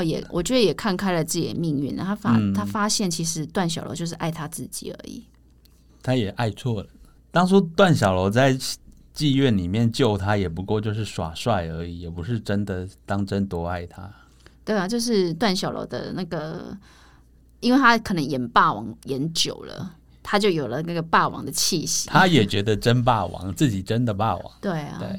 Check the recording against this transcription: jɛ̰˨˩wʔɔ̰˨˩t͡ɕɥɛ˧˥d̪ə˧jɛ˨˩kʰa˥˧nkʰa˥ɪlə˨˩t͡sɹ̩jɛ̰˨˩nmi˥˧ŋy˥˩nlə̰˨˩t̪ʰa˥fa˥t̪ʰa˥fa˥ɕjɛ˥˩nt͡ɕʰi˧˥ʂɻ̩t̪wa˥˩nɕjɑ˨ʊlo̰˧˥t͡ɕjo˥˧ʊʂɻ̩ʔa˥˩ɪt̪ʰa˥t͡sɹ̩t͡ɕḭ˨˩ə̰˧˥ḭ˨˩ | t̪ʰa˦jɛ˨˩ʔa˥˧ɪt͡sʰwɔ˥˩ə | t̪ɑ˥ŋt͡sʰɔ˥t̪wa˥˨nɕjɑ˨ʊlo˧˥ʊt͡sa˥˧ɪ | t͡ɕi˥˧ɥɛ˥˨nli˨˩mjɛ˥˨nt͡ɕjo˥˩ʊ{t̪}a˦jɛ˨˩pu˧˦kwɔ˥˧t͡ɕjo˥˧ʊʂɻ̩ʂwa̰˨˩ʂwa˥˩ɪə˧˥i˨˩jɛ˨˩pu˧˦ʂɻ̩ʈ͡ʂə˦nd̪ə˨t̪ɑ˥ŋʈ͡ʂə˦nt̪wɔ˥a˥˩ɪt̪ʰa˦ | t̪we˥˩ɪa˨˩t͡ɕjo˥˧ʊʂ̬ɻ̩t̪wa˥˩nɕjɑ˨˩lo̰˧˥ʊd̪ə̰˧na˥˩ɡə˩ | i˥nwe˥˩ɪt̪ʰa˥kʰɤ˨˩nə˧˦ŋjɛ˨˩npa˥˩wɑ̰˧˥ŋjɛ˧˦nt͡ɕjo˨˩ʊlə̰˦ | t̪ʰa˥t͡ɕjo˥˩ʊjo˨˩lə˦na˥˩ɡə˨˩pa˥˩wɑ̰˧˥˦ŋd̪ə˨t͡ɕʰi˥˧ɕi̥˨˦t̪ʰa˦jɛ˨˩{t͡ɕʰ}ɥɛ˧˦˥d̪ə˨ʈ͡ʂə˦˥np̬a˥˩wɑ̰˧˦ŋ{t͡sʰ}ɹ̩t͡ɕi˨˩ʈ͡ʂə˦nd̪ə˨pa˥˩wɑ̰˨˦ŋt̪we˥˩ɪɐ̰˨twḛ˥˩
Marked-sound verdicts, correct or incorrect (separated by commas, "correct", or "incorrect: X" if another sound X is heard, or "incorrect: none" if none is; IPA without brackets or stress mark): incorrect: t̪ʰ, incorrect: t͡ɕ, incorrect: t͡s